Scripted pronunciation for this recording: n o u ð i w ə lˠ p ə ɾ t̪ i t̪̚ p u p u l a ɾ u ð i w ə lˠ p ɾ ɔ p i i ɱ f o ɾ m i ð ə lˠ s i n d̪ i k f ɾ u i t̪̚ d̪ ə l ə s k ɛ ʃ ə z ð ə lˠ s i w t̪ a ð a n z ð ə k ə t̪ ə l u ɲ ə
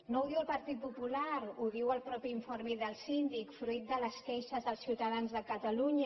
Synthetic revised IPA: n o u ð i w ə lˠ p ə ɾ t̪ i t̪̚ p u p u l a ɾ u ð i w ə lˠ p ɾ ɔ p i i ɱ f o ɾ m i ð ə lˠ s i n d̪ i k f ɾ u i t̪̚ d̪ ə l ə s k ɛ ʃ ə z ð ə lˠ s i w t̪ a ð a n z ð ə k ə t̪ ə l u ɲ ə